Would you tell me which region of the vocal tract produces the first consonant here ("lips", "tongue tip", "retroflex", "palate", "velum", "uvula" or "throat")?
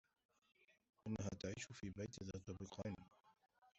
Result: throat